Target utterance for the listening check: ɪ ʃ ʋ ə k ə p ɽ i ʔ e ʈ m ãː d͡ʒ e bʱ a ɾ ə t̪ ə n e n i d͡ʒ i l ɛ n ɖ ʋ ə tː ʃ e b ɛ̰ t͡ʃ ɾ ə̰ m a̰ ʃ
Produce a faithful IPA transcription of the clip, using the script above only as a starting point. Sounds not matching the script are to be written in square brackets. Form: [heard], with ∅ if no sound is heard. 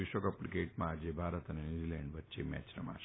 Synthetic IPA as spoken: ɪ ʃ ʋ ə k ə p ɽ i [k] e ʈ m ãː d͡ʒ e bʱ a ɾ ə t̪ ə n e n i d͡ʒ i l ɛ [ɳ] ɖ ʋ ə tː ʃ e [m] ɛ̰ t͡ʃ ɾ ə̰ m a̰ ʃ